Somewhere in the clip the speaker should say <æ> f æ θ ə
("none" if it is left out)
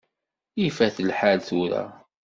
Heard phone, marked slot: i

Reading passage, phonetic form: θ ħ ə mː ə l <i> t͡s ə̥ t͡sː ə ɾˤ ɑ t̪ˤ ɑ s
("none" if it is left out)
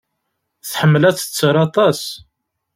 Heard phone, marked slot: æ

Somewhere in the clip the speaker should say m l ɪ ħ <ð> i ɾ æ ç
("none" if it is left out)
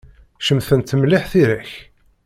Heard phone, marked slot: θ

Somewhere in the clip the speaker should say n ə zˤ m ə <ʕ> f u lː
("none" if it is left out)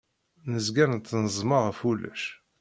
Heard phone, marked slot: ʁ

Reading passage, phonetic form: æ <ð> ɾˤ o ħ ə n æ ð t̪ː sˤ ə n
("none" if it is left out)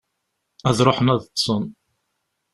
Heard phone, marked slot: ð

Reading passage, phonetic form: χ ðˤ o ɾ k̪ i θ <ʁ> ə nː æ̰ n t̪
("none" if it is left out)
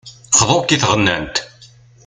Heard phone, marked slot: ʁ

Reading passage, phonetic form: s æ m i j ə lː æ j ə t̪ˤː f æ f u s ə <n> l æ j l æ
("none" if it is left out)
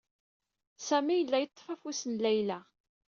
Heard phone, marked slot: n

